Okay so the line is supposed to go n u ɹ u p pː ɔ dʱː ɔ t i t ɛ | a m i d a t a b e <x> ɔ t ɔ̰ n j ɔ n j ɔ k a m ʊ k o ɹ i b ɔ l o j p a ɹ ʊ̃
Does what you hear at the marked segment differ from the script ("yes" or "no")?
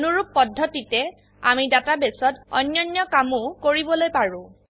yes